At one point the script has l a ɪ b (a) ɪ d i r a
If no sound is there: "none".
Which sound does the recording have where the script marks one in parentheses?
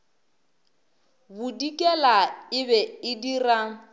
ɛ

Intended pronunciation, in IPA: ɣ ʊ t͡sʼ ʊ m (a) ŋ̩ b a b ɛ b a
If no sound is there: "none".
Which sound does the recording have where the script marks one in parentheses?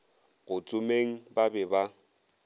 e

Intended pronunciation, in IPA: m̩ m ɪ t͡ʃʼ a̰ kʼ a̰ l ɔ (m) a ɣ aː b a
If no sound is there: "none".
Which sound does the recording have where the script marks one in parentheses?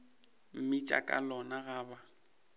n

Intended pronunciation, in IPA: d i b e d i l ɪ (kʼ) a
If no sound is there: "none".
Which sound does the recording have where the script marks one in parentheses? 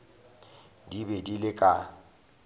kʼ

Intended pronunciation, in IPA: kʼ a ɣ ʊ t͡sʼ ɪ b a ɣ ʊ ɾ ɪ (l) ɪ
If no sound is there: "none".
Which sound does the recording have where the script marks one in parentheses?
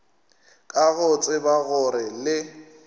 l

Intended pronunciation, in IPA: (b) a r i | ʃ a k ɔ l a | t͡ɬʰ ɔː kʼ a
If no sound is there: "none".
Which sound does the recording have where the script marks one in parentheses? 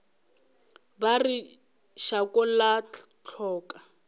b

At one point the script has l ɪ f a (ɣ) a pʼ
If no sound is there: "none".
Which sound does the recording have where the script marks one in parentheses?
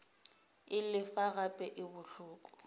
ɣ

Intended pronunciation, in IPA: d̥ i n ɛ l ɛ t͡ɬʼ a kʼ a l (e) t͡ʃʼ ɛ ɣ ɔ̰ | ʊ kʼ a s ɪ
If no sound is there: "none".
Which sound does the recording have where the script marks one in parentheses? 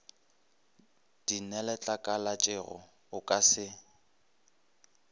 a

